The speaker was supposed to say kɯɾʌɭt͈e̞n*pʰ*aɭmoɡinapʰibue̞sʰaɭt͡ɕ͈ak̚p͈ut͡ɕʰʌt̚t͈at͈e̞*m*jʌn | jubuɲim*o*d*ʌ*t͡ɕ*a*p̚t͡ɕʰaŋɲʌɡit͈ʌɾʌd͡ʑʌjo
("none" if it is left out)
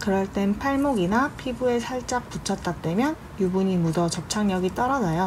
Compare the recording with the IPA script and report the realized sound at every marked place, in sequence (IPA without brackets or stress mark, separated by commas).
pʰ, m, u, ʌ, ʌ